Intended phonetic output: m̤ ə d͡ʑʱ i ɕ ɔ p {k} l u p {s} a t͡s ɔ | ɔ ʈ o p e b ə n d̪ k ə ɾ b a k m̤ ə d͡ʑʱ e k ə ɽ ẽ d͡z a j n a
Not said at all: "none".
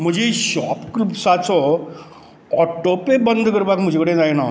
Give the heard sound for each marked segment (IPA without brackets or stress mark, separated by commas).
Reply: k, s